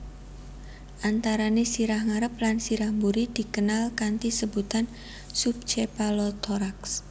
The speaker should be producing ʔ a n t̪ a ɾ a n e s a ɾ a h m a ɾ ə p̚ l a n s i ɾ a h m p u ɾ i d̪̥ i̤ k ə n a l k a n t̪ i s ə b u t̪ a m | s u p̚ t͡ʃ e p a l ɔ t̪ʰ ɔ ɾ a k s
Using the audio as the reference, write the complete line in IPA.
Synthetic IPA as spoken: ʔ a n t̪ a ɾ a n e s i ɾ a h ŋ a ɾ ə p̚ l a n s i ɾ a h m b u ɾ i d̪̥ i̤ k ə n a l k a n t̪ i s ə b u t̪ a n | s u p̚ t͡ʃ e p a l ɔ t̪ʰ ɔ ɾ a k s